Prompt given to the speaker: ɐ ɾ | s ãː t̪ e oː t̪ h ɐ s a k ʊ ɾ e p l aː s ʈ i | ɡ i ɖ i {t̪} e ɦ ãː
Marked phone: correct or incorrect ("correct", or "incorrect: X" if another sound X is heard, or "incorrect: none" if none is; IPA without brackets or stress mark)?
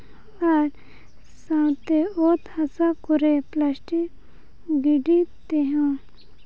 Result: correct